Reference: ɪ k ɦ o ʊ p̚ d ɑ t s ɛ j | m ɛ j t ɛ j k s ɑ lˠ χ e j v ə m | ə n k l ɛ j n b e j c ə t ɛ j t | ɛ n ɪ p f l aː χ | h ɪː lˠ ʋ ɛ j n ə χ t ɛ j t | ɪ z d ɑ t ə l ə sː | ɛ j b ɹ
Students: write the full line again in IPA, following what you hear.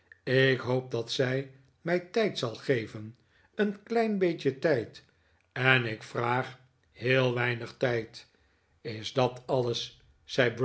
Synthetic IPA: ɪ k ɦ o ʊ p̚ d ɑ t s ɛ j | m ɛ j t ɛ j t s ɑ lˠ χ e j v ə n | ə n k l ɛ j n b e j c ə t ɛ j t | ɛ n ɪ k f r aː χ | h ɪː lˠ ʋ ɛ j n ə χ t ɛ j t | ɪ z d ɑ t ɑ l ə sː | ɛ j b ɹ